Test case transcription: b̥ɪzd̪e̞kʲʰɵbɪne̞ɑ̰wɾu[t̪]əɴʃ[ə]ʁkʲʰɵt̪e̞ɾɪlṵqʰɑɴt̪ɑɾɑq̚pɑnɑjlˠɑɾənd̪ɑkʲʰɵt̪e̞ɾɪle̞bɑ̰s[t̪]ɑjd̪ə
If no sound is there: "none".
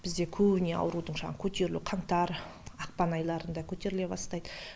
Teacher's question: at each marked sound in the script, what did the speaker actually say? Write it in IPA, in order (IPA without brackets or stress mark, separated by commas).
d̪, ɑ, t̪